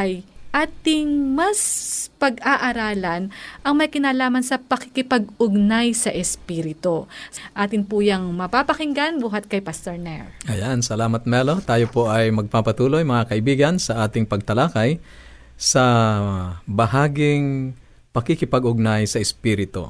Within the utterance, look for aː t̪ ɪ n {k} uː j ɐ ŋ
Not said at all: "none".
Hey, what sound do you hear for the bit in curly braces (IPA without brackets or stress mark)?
p